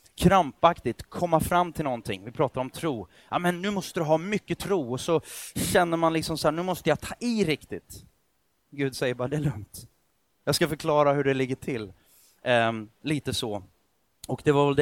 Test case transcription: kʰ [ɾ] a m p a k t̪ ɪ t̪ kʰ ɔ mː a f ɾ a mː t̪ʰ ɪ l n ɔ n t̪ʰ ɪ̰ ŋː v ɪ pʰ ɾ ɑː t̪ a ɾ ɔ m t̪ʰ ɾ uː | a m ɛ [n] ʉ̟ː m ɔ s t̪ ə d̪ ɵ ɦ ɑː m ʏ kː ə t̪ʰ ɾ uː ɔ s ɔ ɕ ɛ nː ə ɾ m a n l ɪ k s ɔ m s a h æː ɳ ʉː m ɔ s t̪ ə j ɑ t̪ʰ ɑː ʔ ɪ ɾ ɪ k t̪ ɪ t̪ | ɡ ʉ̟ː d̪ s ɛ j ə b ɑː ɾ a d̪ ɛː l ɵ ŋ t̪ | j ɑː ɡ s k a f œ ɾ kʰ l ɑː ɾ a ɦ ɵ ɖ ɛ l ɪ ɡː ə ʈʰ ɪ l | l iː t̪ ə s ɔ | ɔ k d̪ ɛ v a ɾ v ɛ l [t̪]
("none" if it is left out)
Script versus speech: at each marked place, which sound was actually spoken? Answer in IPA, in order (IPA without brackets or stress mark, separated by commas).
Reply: ɾ, nː, d̪